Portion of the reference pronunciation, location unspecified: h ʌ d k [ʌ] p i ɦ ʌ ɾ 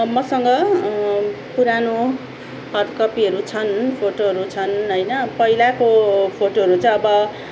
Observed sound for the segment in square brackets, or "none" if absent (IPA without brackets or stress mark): ʌ